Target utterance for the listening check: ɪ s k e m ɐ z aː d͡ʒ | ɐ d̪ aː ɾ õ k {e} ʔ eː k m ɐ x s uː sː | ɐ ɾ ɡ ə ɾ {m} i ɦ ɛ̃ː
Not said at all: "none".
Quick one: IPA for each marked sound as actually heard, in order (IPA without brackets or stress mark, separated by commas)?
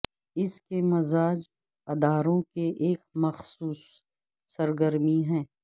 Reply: e, m